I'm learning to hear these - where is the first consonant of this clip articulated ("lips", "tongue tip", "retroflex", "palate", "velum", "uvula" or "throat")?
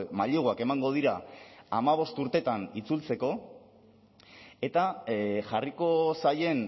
lips